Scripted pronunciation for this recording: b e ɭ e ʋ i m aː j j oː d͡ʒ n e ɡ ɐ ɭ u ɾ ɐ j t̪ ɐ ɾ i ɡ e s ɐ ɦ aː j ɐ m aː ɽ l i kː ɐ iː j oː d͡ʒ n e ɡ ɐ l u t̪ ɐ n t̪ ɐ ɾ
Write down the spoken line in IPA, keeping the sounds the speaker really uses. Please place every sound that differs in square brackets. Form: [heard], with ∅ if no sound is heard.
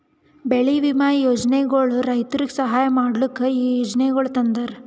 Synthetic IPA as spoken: b e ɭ [i] ʋ i m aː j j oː d͡ʒ n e ɡ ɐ ɭ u ɾ ɐ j t̪ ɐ ɾ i ɡ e s ɐ ɦ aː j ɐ m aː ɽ l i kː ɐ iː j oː d͡ʒ n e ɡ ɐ [ɭ] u t̪ ɐ n [d̪] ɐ ɾ